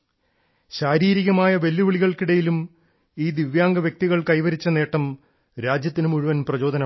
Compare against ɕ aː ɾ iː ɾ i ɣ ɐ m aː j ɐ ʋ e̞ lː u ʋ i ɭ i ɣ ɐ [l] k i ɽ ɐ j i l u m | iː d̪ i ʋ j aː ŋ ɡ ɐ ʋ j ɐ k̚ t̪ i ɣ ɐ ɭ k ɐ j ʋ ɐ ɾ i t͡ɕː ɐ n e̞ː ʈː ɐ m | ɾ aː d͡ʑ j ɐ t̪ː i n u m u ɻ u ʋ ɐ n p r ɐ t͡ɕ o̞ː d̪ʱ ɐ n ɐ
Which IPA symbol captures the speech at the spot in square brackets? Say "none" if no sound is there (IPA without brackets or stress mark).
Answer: ɭ